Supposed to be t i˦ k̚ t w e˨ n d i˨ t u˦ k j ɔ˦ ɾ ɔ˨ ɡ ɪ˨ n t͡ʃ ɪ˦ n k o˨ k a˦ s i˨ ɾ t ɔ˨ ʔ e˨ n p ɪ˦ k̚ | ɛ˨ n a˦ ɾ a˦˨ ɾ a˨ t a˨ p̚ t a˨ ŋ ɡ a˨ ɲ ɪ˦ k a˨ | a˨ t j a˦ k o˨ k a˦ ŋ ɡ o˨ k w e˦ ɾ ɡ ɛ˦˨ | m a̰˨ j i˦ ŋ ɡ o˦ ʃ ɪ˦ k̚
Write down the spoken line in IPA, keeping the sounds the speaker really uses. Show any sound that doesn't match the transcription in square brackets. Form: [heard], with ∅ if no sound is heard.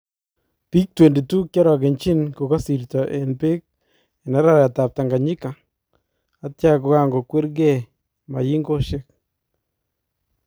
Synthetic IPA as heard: [p] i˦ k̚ t w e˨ n d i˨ t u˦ k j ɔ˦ ɾ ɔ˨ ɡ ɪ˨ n t͡ʃ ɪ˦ n k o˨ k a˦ s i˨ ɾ t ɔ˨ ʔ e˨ n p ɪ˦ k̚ | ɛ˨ n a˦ ɾ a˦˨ ɾ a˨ t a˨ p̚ t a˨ ŋ ɡ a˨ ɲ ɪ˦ k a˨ | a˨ t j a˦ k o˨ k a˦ ŋ ɡ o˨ k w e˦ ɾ ɡ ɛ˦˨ | m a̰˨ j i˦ ŋ ɡ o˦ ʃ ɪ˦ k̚